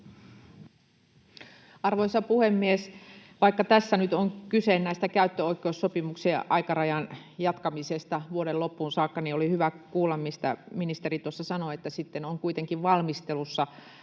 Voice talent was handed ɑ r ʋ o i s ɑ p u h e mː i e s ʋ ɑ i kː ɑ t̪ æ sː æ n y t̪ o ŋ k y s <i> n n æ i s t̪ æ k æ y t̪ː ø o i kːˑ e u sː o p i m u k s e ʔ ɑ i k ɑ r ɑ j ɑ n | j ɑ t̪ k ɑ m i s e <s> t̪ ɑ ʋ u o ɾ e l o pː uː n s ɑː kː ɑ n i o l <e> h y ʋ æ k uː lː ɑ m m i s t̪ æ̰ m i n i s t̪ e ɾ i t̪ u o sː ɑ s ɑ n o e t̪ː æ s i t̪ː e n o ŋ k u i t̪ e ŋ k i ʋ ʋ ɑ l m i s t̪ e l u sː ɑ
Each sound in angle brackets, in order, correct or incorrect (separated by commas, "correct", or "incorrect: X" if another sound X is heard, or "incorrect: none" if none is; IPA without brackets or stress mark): incorrect: e, correct, incorrect: i